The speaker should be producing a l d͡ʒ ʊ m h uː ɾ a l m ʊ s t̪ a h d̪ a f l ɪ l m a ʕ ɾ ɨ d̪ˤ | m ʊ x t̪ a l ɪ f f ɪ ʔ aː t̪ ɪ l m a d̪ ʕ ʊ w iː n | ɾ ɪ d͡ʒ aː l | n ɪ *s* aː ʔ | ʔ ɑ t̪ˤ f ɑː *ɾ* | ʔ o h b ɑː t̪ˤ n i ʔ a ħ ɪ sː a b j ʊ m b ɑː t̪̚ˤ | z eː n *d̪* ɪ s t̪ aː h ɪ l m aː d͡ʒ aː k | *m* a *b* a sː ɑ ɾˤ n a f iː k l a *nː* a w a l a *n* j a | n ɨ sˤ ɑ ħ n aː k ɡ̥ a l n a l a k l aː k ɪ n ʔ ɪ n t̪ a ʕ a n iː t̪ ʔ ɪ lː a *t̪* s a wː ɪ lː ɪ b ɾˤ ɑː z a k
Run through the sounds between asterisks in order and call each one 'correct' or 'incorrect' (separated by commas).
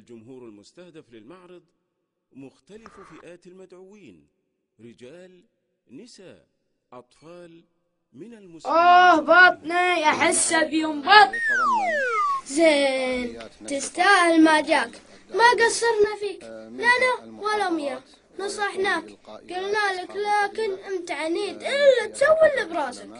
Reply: correct, incorrect, incorrect, correct, incorrect, incorrect, incorrect, correct